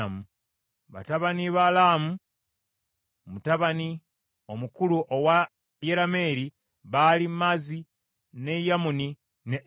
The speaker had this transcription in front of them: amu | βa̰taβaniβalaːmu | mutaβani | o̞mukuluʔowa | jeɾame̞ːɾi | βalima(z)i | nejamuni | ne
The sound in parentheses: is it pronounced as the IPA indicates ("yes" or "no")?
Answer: yes